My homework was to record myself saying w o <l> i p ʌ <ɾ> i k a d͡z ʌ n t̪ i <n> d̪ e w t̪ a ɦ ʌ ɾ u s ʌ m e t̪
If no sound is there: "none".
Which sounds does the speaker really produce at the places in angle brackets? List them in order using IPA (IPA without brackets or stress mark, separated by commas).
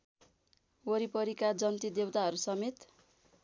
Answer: ɾ, ɾ, none